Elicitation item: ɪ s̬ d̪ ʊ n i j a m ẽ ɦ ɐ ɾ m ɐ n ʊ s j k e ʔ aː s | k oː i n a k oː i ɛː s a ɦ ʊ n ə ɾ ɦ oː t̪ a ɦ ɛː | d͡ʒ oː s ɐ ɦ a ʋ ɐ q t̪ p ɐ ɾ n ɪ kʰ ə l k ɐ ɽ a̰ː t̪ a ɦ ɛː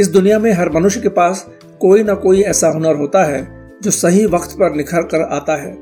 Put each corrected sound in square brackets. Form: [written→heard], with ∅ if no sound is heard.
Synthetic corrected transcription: ɪ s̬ d̪ ʊ n i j a m ẽ ɦ ɐ ɾ m ɐ n ʊ [s→ʃ] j k e [ʔ→p] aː s | k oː i n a k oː i ɛː s a ɦ ʊ n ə ɾ ɦ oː t̪ a ɦ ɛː | d͡ʒ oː s ɐ ɦ [a→i] ʋ ɐ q t̪ p ɐ ɾ n ɪ kʰ ə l k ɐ [ɽ→ɾ] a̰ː t̪ a ɦ ɛː